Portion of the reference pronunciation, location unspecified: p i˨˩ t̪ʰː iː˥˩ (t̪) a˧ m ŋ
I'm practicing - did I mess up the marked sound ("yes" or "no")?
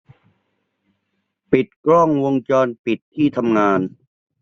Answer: yes